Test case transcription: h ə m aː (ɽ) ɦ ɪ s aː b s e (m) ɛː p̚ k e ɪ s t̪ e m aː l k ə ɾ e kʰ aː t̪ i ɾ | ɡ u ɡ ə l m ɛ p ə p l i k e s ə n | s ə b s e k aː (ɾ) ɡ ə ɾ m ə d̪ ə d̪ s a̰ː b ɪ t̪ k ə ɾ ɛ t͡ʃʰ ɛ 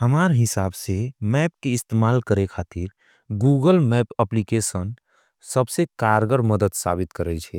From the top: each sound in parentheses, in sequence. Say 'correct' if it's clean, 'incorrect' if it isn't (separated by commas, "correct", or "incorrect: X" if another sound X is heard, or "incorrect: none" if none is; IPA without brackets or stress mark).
incorrect: ɾ, correct, correct